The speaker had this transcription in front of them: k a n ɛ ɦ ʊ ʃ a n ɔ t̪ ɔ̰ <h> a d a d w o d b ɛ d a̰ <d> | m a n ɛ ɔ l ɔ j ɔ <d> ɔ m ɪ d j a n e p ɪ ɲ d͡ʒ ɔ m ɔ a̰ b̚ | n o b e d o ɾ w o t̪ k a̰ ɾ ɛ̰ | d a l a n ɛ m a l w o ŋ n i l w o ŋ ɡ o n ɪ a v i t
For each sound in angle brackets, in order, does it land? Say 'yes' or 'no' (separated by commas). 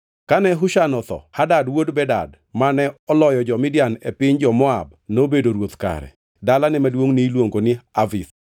yes, yes, no